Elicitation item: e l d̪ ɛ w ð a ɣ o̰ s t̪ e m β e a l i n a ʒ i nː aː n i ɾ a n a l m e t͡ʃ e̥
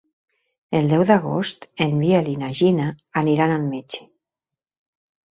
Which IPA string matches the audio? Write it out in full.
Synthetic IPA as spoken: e l d̪ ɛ w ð a ɣ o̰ s t̪ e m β i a l i n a ʒ i n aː n i ɾ a n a l m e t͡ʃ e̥